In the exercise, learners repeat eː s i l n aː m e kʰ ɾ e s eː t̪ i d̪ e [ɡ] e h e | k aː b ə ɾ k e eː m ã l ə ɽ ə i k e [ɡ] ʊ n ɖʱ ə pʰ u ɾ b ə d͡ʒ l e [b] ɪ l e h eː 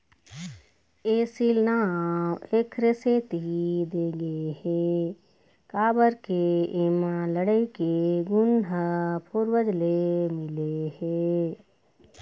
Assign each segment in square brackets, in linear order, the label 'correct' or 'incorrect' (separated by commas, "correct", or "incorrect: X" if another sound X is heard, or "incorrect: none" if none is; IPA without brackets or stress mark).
correct, correct, incorrect: m